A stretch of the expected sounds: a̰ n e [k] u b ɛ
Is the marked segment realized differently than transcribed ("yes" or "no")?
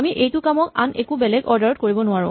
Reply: no